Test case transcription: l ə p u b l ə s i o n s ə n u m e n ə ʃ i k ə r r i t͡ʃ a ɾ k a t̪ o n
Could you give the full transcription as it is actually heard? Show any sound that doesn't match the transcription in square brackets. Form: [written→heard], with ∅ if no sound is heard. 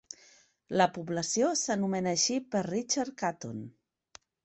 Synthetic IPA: l ə p u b l ə s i o [n→∅] s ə n u m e n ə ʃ i [k→p] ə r r i t͡ʃ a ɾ k a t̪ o n